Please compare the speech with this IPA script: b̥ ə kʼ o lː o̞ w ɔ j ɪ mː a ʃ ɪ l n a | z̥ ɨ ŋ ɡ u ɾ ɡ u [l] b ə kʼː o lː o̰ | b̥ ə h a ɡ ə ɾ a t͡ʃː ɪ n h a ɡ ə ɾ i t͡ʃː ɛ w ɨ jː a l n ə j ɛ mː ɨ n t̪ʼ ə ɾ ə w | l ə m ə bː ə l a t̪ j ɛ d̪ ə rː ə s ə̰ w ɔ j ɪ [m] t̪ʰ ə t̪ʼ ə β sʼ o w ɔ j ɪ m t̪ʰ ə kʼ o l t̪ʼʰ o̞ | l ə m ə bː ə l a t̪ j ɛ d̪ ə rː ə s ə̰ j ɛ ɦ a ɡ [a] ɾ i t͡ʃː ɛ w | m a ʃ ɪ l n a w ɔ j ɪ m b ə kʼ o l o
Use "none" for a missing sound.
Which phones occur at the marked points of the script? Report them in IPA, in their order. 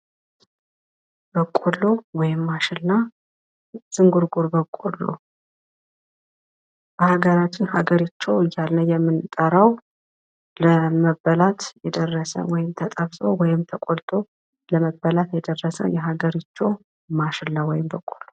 ɾ, m, ə

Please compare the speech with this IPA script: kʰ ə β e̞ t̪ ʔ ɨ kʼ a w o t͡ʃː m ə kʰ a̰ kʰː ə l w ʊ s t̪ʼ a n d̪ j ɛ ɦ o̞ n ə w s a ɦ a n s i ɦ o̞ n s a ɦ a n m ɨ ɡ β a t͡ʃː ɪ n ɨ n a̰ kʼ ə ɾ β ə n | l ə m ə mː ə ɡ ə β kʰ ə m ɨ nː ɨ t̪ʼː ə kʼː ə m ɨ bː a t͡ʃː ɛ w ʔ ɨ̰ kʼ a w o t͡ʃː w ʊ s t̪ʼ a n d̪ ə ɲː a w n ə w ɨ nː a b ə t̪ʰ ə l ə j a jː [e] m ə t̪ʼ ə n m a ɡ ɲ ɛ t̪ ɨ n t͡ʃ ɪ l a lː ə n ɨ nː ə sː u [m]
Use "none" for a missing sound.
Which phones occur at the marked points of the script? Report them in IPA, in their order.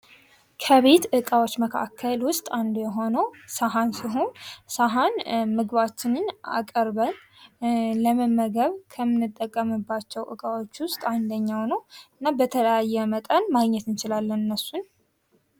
ɛ, n

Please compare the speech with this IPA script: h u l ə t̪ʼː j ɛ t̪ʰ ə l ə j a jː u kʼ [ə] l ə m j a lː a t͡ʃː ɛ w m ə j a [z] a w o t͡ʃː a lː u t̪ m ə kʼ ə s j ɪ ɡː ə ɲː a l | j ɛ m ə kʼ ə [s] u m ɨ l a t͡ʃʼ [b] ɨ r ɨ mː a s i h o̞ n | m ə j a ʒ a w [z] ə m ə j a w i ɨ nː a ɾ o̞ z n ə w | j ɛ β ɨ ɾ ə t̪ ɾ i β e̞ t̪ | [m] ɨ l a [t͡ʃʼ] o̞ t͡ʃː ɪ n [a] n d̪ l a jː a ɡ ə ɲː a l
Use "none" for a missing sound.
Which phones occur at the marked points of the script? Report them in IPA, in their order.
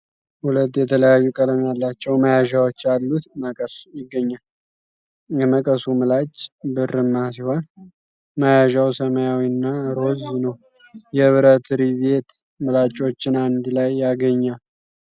ə, ʒ, s, b, s, m, t͡ʃʼ, a

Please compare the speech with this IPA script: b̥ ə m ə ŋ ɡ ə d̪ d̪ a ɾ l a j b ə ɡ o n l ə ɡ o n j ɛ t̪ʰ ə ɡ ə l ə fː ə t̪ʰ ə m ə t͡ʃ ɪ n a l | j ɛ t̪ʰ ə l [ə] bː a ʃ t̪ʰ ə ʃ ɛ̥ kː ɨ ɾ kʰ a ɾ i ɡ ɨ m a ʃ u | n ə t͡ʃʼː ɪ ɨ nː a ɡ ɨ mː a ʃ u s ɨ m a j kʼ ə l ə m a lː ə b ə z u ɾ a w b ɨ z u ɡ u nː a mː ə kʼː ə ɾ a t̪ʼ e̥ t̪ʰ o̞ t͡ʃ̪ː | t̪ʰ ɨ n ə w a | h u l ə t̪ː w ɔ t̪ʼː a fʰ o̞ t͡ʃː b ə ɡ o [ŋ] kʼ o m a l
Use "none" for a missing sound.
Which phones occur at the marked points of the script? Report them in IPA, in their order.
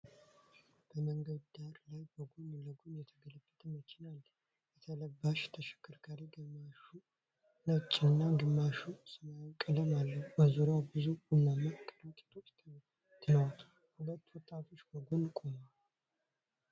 ə, n

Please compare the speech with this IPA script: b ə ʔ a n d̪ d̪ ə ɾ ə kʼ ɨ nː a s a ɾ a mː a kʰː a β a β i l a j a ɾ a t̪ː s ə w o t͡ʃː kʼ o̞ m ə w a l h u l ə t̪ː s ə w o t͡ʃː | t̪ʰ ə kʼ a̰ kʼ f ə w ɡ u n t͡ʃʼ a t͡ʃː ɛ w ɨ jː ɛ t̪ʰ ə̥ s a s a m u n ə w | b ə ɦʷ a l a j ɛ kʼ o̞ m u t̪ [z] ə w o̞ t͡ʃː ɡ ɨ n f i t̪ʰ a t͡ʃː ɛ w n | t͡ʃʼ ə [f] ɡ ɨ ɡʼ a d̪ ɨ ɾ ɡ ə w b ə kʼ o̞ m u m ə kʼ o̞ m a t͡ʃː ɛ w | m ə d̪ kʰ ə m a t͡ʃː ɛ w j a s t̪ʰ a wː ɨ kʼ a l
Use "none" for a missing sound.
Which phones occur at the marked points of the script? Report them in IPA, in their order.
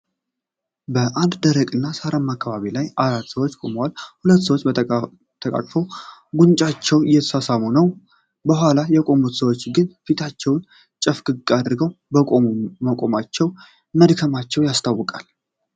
s, f

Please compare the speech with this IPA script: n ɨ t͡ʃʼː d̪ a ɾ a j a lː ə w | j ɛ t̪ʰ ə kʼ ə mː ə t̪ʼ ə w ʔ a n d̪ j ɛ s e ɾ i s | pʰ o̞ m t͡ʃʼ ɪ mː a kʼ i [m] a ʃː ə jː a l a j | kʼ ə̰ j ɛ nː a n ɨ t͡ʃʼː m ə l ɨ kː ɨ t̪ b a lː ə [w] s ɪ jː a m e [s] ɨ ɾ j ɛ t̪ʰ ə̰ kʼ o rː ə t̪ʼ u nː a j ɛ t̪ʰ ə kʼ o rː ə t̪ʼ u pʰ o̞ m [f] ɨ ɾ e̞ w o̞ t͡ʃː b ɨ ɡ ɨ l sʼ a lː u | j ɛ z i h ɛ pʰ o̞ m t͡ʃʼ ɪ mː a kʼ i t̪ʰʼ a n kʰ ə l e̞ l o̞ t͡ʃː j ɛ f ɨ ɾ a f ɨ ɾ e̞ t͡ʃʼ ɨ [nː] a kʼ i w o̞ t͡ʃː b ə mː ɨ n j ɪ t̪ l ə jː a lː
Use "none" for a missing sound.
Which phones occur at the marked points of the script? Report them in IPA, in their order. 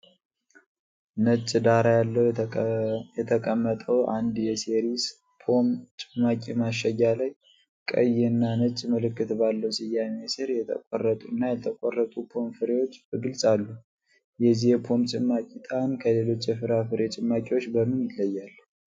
m, w, s, f, mː

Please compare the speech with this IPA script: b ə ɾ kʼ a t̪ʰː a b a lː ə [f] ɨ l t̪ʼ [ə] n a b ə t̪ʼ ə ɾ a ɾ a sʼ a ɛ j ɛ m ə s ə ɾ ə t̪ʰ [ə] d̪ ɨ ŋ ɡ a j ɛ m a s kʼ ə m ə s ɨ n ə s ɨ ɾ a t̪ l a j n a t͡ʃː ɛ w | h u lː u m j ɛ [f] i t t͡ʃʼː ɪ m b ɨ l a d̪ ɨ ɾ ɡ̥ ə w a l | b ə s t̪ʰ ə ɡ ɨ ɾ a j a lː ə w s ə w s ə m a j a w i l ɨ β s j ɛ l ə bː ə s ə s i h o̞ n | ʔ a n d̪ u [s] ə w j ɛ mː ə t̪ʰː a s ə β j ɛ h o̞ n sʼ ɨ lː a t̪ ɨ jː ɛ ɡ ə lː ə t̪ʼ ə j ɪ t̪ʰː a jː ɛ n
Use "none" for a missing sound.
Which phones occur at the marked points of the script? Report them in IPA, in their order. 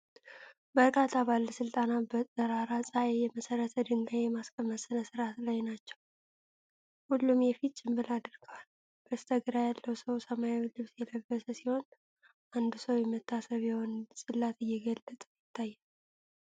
s, a, ə, f, s

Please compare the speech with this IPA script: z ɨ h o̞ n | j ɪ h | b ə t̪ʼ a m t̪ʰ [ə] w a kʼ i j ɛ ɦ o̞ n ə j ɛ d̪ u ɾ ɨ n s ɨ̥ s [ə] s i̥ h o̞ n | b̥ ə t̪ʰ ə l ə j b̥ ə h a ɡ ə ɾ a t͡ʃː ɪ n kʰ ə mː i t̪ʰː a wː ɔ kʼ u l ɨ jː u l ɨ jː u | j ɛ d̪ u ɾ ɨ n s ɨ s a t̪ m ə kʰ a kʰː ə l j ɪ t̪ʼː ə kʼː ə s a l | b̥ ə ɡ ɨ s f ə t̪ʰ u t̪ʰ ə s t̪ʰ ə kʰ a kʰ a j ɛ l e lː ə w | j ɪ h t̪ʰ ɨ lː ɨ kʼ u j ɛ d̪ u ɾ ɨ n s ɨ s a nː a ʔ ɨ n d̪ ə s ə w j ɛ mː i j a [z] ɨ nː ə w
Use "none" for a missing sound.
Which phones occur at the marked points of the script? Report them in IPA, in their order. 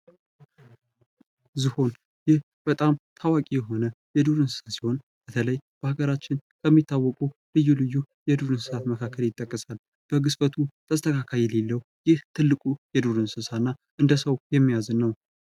a, a, z

